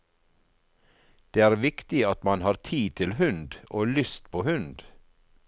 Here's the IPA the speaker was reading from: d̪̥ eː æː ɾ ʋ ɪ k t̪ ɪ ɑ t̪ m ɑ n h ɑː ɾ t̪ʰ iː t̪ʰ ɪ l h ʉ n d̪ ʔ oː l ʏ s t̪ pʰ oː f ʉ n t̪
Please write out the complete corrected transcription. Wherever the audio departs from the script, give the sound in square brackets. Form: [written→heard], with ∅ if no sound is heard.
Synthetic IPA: d̪̥ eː æː ɾ ʋ ɪ k t̪ ɪ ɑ t̪ m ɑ n h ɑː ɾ t̪ʰ iː t̪ʰ ɪ l h ʉ n d̪ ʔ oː l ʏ s t̪ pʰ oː [f→h] ʉ n [t̪→d̪]